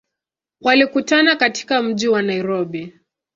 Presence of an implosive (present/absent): present